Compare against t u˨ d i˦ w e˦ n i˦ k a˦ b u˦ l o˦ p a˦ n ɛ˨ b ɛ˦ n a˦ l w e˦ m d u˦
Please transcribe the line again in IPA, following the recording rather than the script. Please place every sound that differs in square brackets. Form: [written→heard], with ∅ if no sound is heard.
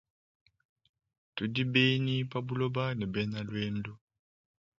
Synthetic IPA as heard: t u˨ d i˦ [w→b] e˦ n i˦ [k→p] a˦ b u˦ l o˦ [p→b] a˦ n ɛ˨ b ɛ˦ n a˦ l w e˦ [m→n] d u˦